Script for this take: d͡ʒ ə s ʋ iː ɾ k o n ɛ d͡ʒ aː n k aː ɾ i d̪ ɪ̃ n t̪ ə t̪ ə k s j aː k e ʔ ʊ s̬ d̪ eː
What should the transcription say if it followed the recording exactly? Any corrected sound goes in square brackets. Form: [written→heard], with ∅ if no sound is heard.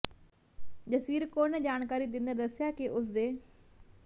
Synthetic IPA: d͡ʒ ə s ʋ iː ɾ k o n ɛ d͡ʒ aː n k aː ɾ i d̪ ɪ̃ n [t̪→d̪] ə [t̪→d̪] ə [k→∅] s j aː k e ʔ ʊ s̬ d̪ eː